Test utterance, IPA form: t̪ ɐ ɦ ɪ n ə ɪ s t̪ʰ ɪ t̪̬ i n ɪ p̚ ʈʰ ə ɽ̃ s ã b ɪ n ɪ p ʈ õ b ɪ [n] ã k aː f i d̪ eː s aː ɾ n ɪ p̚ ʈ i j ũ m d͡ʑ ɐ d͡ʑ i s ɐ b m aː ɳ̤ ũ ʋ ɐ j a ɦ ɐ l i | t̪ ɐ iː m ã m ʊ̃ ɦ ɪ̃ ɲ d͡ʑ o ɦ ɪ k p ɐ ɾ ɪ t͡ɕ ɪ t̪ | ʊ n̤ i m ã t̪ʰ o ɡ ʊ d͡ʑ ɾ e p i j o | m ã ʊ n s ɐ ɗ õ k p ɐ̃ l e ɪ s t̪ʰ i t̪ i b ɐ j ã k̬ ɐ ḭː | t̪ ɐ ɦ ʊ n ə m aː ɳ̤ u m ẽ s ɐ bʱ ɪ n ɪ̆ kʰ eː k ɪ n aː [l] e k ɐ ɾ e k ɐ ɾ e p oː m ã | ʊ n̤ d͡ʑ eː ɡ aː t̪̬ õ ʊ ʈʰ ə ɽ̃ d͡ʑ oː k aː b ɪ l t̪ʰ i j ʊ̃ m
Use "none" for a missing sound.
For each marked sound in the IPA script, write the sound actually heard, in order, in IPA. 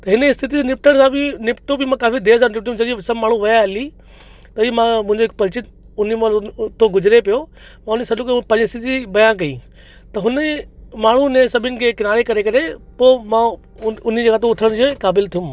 m, ɾ

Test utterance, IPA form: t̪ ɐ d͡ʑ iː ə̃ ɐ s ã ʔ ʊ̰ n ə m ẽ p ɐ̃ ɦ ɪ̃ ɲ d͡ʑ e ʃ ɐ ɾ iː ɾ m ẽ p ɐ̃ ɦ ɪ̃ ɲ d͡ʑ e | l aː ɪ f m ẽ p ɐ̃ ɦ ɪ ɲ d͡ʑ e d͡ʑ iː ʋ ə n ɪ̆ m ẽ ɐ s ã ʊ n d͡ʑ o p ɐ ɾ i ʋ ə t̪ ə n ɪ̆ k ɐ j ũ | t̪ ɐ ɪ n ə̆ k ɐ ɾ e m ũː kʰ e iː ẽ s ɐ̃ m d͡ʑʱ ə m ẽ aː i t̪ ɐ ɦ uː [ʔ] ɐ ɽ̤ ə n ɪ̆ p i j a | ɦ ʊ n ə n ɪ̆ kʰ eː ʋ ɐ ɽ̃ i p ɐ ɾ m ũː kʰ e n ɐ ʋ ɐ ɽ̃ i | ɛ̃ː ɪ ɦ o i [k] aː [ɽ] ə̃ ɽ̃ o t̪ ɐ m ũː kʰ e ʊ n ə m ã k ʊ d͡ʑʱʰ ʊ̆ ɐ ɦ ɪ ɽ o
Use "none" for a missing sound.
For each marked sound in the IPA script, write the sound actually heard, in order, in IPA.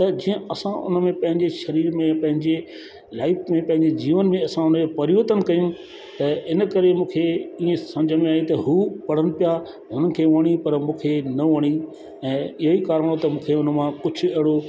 p, k, ɾ

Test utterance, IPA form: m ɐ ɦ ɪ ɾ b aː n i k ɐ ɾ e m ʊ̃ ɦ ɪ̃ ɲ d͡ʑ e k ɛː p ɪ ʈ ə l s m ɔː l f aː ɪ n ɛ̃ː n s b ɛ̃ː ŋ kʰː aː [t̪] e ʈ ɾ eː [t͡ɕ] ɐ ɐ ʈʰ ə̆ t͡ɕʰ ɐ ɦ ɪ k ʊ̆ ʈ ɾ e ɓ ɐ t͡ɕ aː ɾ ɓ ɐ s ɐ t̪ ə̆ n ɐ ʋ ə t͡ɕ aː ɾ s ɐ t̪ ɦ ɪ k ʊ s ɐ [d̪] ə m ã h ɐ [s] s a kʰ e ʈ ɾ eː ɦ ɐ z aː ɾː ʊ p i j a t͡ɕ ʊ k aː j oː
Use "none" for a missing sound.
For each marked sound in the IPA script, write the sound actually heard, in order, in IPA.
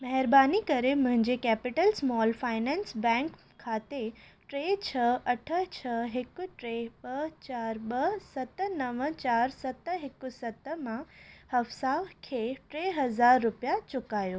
t̪, t͡ɕʰ, t̪, f

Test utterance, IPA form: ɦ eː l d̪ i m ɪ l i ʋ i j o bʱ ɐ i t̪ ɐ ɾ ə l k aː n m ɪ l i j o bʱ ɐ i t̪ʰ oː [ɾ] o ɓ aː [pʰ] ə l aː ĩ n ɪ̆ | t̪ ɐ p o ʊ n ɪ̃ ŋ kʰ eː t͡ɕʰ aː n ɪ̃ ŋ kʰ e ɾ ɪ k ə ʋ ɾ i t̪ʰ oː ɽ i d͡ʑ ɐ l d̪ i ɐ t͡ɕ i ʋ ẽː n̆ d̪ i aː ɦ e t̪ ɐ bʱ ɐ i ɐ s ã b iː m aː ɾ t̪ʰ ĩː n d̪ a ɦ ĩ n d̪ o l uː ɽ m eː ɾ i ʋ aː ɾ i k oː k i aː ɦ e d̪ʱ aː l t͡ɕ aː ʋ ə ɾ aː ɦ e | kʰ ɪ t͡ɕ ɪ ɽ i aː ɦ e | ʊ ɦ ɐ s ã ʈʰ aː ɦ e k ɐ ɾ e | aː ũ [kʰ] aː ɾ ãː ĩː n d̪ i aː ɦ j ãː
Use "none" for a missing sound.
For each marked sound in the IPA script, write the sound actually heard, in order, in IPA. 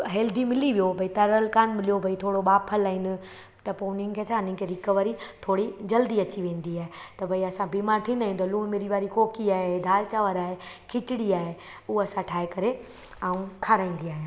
ɽ, pʰ, kʰ

